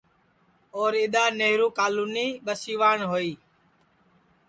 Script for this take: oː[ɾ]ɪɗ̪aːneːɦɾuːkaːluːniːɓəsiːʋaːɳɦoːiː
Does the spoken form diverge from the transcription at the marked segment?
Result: no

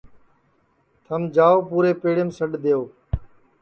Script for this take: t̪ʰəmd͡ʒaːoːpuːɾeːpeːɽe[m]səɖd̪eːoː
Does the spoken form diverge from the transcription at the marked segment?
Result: no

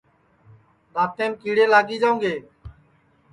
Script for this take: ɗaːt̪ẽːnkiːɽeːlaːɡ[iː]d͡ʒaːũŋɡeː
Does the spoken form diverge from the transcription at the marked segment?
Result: no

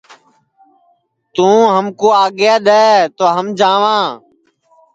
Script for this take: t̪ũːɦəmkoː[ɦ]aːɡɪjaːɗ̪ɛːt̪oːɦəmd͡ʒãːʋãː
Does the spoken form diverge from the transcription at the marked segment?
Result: yes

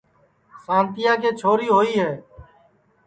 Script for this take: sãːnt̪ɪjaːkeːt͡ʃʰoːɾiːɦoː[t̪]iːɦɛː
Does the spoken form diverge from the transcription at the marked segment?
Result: yes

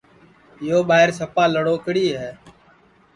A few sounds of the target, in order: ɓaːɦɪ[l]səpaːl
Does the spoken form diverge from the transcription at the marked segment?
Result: yes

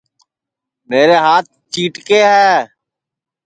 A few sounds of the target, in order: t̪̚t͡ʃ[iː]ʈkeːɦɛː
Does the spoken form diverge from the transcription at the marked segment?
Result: no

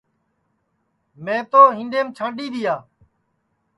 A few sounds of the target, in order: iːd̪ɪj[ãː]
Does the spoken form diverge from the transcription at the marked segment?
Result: yes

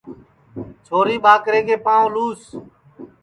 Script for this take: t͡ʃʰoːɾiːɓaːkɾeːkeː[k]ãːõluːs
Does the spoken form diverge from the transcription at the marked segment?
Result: yes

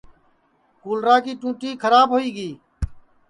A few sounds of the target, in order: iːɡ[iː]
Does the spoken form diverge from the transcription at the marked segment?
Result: no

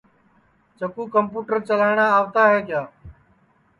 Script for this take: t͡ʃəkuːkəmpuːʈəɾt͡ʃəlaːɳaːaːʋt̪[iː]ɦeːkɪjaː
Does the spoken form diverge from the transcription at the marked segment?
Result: yes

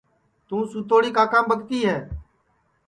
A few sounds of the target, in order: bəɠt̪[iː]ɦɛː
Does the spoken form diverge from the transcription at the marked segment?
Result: no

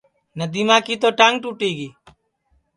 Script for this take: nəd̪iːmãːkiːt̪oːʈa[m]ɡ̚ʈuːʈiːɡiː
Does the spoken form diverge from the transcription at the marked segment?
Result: yes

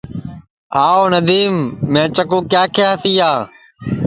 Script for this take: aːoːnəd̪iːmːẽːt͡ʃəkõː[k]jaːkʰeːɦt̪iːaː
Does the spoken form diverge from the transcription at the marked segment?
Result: no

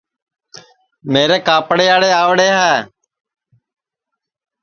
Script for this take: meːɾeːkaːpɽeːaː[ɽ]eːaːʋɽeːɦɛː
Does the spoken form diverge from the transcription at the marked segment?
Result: no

